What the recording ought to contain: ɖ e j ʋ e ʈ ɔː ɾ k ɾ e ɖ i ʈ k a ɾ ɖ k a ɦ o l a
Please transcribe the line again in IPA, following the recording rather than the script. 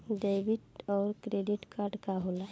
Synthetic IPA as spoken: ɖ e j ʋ i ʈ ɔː ɾ k ɾ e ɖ i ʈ k a ɾ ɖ k a ɦ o l a